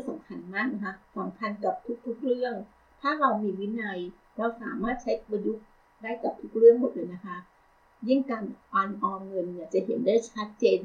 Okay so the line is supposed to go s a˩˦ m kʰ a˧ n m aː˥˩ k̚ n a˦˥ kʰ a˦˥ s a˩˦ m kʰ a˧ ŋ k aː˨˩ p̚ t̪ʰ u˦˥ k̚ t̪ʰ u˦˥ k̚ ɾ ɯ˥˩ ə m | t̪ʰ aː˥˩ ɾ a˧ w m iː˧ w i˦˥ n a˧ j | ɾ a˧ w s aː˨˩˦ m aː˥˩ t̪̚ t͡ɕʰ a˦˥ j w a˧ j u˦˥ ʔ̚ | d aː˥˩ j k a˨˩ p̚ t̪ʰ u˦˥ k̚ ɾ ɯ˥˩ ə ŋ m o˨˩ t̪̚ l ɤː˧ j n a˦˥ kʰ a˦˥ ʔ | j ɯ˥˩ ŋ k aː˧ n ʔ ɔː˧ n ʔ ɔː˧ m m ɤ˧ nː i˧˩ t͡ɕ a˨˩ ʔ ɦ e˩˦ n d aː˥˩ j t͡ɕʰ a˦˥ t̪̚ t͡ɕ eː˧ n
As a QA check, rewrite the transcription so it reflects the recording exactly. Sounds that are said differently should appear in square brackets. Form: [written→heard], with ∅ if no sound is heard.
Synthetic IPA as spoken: s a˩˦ m kʰ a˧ n m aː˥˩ k̚ n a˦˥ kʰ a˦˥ s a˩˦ m kʰ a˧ [ŋ→n] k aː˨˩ p̚ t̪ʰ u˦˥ k̚ t̪ʰ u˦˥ k̚ ɾ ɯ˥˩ ə [m→ŋ] | t̪ʰ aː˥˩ ɾ a˧ w m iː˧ w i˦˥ n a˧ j | ɾ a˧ w s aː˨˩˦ m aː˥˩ t̪̚ t͡ɕʰ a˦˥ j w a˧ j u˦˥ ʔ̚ | d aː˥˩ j k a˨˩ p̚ t̪ʰ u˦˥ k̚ ɾ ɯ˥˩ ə ŋ m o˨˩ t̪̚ l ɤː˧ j n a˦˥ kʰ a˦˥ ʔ | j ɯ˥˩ ŋ k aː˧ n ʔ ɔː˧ n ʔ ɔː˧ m [m→ŋ] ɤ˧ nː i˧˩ t͡ɕ a˨˩ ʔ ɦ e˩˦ n d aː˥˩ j t͡ɕʰ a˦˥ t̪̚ t͡ɕ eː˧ n